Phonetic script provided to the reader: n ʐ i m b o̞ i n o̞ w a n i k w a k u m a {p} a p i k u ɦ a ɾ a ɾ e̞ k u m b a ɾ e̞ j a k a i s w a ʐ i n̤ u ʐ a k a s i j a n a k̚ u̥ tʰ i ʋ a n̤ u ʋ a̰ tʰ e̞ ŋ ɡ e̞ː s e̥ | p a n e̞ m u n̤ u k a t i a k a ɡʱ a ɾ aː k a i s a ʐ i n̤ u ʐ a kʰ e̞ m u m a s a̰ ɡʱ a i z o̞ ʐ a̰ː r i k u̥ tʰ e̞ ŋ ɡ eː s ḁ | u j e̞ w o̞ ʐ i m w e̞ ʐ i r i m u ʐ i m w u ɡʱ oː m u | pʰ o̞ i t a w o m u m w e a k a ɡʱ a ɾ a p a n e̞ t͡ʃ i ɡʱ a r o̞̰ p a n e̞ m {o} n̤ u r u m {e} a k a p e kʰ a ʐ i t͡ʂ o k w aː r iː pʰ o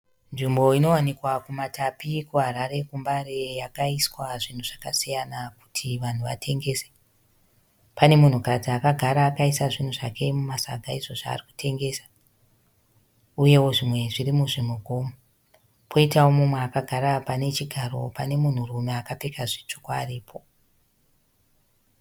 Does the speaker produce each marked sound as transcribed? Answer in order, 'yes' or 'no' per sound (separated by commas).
no, no, yes